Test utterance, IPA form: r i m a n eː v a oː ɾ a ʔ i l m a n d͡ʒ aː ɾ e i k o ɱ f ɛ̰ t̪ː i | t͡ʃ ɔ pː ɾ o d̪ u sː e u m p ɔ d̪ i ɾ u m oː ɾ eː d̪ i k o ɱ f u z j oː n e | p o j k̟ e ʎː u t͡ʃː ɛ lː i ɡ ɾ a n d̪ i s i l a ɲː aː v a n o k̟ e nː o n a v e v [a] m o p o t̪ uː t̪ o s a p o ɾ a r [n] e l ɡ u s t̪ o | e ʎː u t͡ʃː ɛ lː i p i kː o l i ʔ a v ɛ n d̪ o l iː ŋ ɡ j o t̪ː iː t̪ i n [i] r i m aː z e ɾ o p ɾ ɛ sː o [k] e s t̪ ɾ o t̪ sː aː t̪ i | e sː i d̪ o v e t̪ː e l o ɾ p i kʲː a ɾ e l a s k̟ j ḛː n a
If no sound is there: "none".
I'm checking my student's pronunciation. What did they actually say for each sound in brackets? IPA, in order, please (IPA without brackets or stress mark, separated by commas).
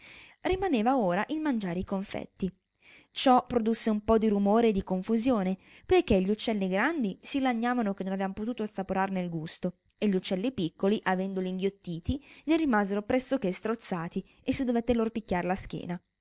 a, n, e, k